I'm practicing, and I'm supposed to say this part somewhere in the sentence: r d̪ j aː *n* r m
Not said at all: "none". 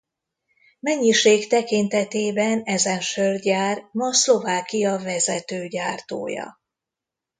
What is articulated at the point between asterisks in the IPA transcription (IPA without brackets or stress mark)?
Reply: none